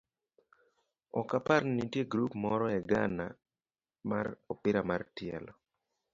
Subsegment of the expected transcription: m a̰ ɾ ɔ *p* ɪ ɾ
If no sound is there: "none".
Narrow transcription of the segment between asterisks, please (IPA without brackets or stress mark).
p